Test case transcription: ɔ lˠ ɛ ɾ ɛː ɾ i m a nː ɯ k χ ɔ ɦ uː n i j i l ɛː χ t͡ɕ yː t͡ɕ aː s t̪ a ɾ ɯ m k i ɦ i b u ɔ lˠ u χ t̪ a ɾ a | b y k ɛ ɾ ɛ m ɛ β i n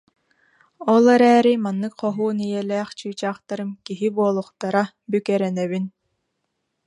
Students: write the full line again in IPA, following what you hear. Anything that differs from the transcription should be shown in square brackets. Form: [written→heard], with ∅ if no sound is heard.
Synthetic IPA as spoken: ɔ lˠ ɛ ɾ ɛː ɾ i m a nː ɯ k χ ɔ ɦ uː n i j [i→ɛ] l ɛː χ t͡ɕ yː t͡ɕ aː [s→χ] t̪ a ɾ ɯ m k i ɦ i b u ɔ lˠ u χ t̪ a ɾ a | b y k ɛ ɾ ɛ [m→n] ɛ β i n